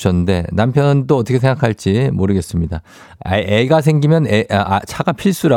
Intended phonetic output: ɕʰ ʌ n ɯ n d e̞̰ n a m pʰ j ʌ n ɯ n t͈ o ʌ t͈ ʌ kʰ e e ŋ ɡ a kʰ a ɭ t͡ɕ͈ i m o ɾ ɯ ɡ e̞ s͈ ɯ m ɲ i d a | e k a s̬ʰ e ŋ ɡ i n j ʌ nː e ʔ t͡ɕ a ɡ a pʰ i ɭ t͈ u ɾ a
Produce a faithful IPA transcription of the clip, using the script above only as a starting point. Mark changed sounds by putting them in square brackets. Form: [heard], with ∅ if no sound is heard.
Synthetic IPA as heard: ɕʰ ʌ n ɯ n d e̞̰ n a m pʰ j ʌ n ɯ n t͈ o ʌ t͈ ʌ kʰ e e ŋ ɡ a kʰ a ɭ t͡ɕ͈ i m o ɾ ɯ ɡ e̞ s͈ ɯ m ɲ i d a | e [ɡ] a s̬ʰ e ŋ ɡ i [m] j ʌ [n] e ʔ [t͡ɕʰ] a ɡ a pʰ i ɭ [s͈] u ɾ a